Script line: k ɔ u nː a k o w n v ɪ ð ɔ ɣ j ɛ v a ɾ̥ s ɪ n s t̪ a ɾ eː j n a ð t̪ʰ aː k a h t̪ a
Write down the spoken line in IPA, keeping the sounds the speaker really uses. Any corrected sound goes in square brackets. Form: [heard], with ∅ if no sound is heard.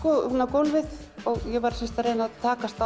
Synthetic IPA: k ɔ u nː a k o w n v ɪ ð ɔ ɣ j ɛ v a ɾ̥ s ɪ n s t̪ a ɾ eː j n a ð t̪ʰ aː k a [s] t̪ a